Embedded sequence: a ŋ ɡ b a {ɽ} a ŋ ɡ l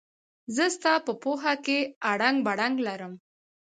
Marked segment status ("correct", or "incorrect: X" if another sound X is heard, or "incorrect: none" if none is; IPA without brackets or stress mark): correct